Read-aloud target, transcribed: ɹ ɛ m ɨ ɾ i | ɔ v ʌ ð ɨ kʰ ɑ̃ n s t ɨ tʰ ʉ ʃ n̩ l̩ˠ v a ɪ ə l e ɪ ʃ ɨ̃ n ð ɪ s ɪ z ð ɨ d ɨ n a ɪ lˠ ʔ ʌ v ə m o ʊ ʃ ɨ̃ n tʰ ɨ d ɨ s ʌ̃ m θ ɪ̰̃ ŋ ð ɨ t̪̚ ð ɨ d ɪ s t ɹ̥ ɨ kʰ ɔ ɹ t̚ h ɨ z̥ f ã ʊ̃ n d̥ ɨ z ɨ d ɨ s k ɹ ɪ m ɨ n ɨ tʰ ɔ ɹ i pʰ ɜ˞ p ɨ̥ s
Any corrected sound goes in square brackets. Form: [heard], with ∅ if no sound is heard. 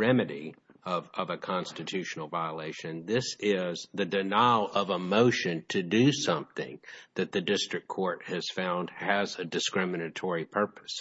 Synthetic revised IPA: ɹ ɛ m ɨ ɾ i | [ʌ] v ʌ [v] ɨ kʰ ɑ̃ n s t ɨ tʰ ʉ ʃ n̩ l̩ˠ v a ɪ ə l e ɪ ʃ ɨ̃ n ð ɪ s ɪ z ð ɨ d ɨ n a ɪ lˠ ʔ ʌ v ə m o ʊ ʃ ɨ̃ n tʰ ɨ d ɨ s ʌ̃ m θ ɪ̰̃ ŋ ð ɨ t̪̚ ð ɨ d ɪ s t ɹ̥ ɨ kʰ ɔ ɹ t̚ h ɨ z̥ f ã ʊ̃ n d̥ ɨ z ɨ d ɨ s k ɹ ɪ m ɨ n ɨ tʰ ɔ ɹ i pʰ ɜ˞ p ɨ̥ s